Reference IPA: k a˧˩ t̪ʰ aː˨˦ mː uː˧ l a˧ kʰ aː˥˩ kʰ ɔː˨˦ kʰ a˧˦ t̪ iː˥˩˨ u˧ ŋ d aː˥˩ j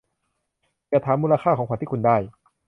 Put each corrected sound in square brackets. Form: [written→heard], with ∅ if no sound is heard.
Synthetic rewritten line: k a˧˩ t̪ʰ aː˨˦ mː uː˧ l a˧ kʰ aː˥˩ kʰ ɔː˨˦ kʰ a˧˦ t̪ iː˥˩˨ u˧ [ŋ→n] d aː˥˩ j